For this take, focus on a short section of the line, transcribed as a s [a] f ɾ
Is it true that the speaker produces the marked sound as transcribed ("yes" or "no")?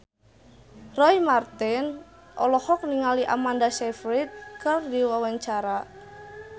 no